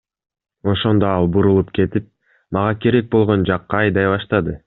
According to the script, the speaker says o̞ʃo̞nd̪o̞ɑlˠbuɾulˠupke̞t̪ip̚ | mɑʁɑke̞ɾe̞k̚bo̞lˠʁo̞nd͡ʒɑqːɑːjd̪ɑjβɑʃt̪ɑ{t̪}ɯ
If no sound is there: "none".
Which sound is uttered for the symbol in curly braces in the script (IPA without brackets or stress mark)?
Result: d̪